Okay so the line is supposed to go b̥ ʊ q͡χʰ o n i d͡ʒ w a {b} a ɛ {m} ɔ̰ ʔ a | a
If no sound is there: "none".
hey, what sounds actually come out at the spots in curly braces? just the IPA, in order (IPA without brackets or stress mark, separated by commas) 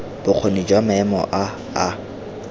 m, m